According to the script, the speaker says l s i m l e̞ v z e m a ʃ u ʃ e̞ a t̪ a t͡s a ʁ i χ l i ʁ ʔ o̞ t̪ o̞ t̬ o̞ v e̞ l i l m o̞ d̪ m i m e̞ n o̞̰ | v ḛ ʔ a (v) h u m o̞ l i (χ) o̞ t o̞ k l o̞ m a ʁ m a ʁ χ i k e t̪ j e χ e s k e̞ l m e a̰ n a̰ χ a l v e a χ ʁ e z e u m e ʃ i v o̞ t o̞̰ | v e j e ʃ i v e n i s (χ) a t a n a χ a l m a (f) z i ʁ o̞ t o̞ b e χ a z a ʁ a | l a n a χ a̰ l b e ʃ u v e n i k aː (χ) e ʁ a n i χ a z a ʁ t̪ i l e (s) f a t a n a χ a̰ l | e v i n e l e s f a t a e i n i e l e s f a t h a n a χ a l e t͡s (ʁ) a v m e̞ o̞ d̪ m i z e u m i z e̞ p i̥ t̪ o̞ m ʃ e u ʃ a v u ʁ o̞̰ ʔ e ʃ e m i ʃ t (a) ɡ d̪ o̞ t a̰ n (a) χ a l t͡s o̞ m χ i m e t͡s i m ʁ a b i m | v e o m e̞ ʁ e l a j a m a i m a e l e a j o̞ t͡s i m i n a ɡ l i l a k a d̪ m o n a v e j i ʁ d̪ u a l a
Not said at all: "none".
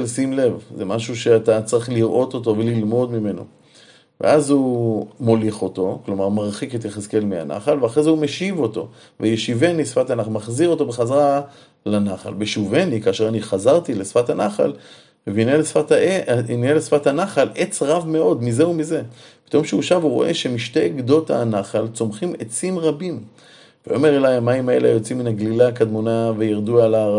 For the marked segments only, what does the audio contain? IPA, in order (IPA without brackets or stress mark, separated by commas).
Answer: z, χ, f, χ, ʃ, s, ʁ, e, a